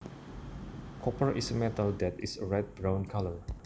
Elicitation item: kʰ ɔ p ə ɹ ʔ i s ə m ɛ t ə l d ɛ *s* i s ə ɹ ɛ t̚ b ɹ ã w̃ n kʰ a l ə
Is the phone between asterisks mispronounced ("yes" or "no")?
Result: yes